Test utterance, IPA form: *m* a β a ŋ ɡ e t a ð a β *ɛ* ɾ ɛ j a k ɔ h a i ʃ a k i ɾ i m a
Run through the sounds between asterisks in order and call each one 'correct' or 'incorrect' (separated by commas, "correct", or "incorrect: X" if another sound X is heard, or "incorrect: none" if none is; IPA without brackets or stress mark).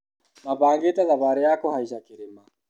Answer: correct, incorrect: a